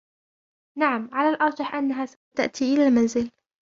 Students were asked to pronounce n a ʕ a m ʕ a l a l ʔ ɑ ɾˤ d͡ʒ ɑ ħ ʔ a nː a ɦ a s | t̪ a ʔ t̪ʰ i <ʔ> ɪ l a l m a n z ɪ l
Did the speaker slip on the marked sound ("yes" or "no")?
no